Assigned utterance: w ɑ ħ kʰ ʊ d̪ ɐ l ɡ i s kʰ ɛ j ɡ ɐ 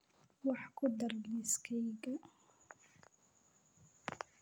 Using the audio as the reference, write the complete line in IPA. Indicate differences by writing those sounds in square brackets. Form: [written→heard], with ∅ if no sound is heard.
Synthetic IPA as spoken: w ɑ ħ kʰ ʊ d̪ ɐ [l→r] ɡ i s kʰ ɛ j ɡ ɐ